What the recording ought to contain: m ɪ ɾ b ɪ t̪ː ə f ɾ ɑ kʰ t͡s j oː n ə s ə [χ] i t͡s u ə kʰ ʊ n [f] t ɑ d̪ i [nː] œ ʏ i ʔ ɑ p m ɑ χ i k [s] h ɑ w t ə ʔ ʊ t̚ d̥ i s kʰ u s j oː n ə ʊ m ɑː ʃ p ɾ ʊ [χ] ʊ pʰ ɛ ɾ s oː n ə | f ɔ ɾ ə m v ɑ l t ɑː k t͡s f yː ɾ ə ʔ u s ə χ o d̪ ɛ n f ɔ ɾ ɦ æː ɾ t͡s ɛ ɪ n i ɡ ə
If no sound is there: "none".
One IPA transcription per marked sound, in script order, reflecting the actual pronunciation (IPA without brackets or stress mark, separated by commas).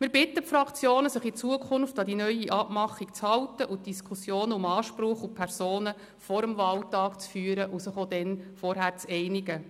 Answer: χ, f, n, t͡s, χ